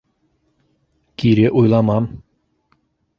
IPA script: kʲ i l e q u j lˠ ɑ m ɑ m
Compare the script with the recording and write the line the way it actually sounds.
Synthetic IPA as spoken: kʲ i ɾ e ʔ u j lˠ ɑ m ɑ m